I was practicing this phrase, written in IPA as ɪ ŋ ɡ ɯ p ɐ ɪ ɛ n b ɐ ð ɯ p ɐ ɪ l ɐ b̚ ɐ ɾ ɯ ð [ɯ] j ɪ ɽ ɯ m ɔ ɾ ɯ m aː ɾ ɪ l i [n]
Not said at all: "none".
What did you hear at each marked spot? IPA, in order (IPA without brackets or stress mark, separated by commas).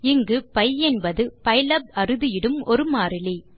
ɯ, none